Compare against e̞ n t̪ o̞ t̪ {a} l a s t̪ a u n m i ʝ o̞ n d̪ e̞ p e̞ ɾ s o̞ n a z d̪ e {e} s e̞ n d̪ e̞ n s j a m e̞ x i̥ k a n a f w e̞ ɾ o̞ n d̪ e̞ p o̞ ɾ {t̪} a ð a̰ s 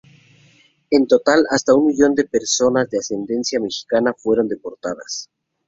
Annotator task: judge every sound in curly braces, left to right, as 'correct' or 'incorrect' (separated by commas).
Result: correct, incorrect, correct